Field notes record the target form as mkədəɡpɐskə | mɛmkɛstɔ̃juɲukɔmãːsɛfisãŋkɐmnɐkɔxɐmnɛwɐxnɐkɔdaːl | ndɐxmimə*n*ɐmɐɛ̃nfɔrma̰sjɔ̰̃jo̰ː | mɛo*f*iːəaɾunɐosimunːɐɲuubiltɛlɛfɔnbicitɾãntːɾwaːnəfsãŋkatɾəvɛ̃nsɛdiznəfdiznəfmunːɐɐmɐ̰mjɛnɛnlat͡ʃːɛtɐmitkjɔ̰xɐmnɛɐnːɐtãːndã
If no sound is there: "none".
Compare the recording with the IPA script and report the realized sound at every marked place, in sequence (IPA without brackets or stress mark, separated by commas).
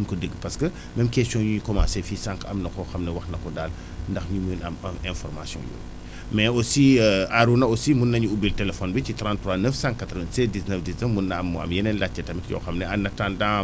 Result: n, s